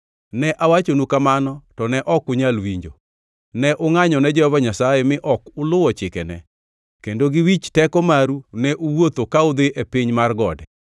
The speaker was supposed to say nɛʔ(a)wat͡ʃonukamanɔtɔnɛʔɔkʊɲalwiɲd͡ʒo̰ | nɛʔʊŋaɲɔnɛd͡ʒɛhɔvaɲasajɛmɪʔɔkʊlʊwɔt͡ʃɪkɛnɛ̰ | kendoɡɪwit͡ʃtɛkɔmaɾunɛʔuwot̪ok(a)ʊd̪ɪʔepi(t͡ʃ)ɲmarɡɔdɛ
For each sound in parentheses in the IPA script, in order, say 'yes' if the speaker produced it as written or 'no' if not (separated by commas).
yes, yes, no